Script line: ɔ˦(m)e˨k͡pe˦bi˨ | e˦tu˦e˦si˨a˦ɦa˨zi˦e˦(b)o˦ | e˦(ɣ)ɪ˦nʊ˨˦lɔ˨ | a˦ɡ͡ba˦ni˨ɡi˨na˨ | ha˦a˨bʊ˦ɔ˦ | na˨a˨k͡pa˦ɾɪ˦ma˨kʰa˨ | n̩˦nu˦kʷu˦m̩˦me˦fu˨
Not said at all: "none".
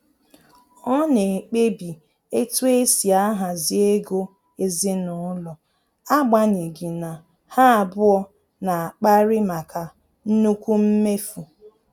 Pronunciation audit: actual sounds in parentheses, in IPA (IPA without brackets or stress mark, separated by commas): n, ɡ, z